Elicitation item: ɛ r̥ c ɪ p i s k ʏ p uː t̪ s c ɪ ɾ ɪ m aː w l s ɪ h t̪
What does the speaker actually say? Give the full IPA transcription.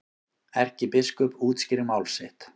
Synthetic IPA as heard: ɛ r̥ c ɪ p ɪ s k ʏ p uː t̪ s c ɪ ɾ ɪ m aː w l s ɪ h t̪

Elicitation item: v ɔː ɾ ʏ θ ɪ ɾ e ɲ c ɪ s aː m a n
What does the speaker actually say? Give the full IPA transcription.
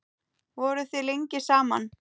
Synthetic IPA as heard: v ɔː ɾ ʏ θ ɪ l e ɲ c ɪ s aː m a n

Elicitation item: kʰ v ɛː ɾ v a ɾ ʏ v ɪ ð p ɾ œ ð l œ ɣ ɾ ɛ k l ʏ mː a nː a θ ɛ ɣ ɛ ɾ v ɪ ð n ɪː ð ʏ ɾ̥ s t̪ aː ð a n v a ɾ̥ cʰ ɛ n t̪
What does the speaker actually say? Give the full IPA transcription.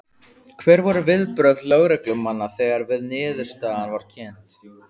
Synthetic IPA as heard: kʰ v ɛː ɾ v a ɾ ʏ v ɪ ð p ɾ œ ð l œ ɣ ɾ ɛ k l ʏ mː a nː a θ ɛ ɣ a ɾ v ɪ ð n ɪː ð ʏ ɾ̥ s t̪ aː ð a n v a ɾ̥ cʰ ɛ n t̪

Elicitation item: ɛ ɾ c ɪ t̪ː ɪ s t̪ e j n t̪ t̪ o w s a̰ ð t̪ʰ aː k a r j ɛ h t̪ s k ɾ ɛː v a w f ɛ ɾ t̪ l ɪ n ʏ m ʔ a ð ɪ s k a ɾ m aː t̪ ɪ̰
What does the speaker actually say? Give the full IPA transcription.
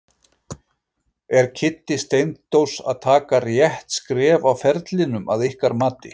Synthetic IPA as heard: ɛ ɾ cʰ ɪ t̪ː ɪ s t̪ e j n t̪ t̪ o w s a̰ ð t̪ʰ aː k a r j ɛ h t̪ s k ɾ ɛː v a w f ɛ ɾ t̪ l ɪ n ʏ m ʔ a ð ɪ h k a ɾ m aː t̪ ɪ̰

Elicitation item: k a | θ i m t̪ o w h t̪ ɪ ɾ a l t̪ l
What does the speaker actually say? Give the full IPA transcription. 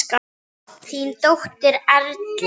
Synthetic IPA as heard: k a | θ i n t̪ o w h t̪ ɪ ɾ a ɾ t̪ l

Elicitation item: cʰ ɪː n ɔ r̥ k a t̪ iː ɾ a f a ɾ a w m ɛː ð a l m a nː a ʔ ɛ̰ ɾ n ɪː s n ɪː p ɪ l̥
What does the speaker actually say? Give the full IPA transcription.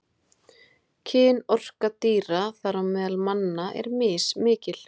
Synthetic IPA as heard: cʰ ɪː n ɔ r̥ k a t̪ iː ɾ a θ a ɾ a w m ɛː ð a l m a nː a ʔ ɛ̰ ɾ m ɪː s m ɪː c ɪ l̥

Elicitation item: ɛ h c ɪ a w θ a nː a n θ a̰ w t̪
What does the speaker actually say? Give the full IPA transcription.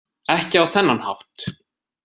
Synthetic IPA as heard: ɛ h c ɪ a w θ ɛ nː a n h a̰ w t̪

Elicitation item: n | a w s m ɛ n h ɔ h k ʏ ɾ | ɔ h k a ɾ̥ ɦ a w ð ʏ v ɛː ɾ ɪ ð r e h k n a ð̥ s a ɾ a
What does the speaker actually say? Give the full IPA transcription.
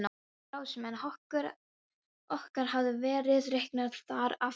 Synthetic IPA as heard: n | a w s m ɛ n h ɔ h k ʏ ɾ | ɔ h k a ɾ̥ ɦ a v ð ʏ v ɛː ɾ ɪ ð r e h k n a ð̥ θ a ɾ a

